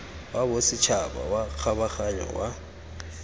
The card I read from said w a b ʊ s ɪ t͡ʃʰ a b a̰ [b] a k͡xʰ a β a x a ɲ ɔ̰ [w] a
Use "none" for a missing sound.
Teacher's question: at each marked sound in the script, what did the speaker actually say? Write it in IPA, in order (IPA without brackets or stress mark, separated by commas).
w, w